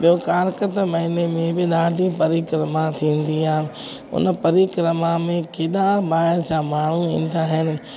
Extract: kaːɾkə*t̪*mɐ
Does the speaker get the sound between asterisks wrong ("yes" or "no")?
no